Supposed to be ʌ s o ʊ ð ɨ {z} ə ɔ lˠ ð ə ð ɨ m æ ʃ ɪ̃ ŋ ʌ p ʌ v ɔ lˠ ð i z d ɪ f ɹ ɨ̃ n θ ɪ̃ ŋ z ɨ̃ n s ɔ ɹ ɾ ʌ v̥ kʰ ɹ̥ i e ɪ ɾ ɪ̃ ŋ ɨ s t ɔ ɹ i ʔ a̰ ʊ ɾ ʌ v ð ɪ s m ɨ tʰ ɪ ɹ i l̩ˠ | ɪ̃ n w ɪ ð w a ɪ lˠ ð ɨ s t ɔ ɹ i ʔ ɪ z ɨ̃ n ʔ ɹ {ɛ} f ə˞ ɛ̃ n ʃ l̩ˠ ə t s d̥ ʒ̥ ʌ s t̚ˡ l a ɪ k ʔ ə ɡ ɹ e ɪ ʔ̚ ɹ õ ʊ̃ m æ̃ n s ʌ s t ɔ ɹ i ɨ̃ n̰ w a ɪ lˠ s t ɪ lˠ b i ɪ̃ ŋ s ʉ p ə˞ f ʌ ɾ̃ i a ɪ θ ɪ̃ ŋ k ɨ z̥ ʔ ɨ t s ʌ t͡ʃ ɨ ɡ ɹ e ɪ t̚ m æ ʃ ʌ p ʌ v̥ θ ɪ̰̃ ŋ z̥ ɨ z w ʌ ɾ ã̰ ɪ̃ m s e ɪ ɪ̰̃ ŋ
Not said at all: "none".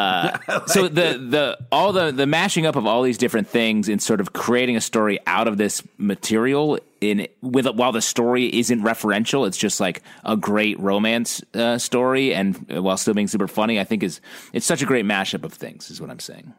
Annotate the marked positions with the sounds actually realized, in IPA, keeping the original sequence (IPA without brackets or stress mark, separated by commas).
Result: ð, ɛ